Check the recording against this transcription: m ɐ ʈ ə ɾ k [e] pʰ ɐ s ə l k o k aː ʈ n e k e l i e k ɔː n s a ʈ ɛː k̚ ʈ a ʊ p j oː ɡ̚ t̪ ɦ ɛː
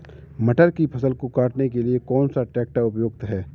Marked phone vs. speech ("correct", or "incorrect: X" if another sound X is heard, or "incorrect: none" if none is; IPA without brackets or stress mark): incorrect: i